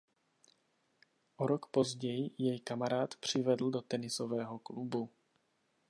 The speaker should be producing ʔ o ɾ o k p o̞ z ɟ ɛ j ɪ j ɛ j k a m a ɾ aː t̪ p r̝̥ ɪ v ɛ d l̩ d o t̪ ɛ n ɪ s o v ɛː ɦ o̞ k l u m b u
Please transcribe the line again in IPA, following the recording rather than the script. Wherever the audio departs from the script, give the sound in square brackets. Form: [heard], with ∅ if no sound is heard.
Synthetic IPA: ʔ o ɾ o k p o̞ z ɟ ɛ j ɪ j ɛ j k a m a ɾ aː t̪ p r̝̥ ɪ v ɛ d l̩ d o t̪ ɛ n ɪ s o v ɛː ɦ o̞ k l u [∅] b u